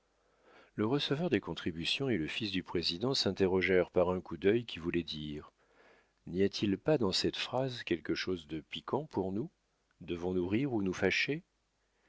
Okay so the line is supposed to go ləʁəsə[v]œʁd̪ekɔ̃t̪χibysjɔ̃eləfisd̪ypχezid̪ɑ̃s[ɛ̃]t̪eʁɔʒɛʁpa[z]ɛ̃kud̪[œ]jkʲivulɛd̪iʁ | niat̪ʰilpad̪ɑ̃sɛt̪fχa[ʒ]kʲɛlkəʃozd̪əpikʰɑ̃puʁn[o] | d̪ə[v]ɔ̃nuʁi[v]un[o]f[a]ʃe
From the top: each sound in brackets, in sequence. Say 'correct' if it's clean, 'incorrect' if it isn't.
correct, correct, incorrect: ʁ, correct, incorrect: z, incorrect: u, correct, incorrect: ʁ, incorrect: u, correct

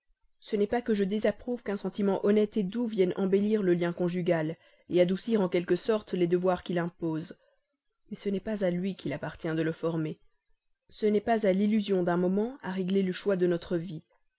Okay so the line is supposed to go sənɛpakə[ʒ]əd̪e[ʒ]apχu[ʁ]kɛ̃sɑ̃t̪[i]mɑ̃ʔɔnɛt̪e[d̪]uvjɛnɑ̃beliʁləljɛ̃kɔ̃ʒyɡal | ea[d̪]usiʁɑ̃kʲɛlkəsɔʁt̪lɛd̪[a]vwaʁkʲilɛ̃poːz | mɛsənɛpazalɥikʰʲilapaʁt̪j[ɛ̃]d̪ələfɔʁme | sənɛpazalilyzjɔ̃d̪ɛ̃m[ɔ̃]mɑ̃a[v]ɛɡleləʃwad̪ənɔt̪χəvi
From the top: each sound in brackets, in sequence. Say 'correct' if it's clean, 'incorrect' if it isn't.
correct, incorrect: z, incorrect: v, correct, correct, correct, incorrect: ə, correct, incorrect: ɔ, incorrect: ʁ

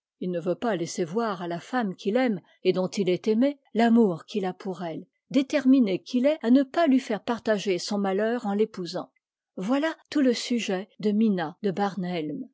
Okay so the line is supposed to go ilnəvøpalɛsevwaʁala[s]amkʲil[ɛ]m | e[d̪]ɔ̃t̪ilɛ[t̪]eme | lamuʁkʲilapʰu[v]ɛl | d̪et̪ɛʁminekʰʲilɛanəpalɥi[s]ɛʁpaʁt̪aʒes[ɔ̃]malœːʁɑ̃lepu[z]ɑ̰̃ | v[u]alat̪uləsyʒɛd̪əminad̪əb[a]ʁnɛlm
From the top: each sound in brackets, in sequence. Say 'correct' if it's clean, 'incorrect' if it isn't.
incorrect: f, correct, correct, correct, incorrect: ʁ, incorrect: f, correct, correct, incorrect: w, correct

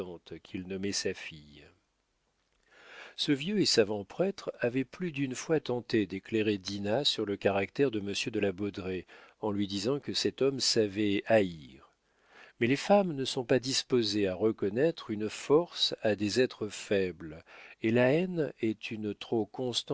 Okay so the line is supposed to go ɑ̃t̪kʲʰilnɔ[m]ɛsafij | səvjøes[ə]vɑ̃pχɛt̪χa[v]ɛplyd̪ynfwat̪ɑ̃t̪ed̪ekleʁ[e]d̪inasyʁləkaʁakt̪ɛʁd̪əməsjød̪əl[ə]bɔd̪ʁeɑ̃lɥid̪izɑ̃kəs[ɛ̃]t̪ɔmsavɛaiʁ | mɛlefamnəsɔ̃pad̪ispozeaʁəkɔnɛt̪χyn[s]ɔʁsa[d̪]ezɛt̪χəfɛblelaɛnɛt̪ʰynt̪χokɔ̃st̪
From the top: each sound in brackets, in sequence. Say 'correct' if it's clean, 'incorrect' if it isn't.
correct, incorrect: a, correct, correct, incorrect: a, incorrect: ɛ, incorrect: f, correct

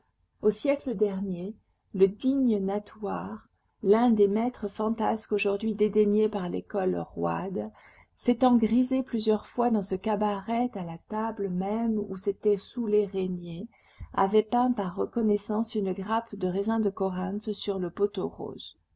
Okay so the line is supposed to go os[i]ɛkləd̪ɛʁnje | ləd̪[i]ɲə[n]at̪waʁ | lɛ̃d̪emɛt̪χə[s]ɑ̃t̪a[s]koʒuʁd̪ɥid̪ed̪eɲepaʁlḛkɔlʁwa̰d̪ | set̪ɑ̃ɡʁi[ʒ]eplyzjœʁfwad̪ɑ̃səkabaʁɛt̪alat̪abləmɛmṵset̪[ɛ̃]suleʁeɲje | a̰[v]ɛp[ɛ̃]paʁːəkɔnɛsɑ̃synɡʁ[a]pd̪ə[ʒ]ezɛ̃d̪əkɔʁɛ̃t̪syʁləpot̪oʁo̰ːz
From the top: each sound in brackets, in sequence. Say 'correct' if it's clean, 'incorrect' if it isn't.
incorrect: j, correct, correct, incorrect: f, correct, incorrect: z, incorrect: ɛ, correct, correct, correct, incorrect: ʁ

